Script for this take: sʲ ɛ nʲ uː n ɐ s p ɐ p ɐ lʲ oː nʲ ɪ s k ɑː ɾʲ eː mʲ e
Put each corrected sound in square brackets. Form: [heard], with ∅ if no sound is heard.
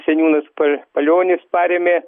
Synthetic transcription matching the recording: sʲ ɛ nʲ uː n ɐ s p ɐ p ɐ lʲ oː nʲ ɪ s [p] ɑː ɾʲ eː mʲ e